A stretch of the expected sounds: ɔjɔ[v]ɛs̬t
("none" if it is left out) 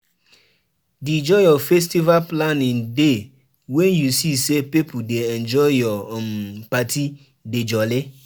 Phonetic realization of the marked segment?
f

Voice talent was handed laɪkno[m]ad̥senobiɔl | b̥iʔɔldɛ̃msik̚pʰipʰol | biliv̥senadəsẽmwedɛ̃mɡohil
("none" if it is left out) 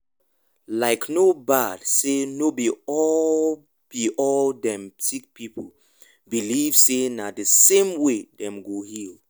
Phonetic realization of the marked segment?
b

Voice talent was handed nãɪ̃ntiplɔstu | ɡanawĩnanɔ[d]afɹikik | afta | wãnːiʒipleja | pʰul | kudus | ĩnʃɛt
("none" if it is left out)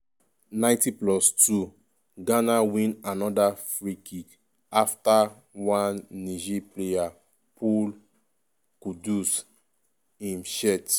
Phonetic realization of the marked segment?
d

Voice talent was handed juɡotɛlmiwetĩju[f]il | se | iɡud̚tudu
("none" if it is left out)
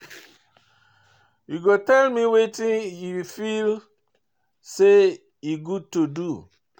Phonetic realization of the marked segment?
f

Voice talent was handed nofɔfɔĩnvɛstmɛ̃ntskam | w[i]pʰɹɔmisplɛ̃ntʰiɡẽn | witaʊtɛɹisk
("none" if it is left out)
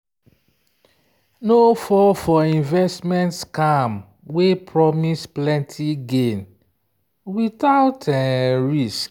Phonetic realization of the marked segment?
e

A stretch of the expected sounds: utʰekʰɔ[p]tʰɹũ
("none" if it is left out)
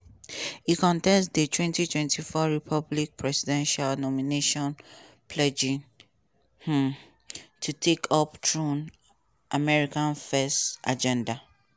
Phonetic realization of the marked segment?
p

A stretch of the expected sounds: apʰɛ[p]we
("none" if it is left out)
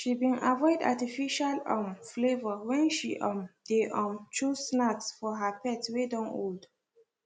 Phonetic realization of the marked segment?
t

